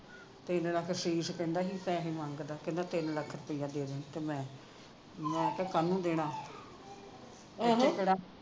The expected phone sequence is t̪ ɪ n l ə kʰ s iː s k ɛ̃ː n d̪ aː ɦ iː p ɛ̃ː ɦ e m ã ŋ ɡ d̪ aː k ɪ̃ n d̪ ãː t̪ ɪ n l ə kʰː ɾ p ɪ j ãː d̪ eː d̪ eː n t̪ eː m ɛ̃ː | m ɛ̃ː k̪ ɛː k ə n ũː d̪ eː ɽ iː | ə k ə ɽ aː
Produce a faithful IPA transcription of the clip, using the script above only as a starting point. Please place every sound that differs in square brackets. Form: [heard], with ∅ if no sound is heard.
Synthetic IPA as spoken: t̪ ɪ n l ə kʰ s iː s k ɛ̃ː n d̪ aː ɦ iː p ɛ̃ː ɦ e m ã ŋ ɡ d̪ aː k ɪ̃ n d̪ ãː t̪ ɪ n l ə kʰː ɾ p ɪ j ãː d̪ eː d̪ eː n t̪ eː m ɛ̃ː | m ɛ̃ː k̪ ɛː k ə n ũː d̪ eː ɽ [aː] | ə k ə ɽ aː